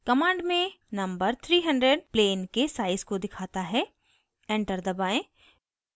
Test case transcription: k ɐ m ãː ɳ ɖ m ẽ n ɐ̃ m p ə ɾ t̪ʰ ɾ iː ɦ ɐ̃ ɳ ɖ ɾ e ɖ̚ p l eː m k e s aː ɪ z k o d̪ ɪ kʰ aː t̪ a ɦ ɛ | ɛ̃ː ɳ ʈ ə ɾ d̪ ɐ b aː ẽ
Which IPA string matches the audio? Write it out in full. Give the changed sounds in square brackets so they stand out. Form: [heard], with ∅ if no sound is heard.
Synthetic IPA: k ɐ m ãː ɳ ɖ m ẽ n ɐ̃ m [b] ə ɾ t̪ʰ ɾ iː ɦ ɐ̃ ɳ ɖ ɾ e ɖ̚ p l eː [n] k e s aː ɪ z k o d̪ ɪ kʰ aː t̪ a ɦ ɛ | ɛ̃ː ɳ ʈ ə ɾ d̪ ɐ b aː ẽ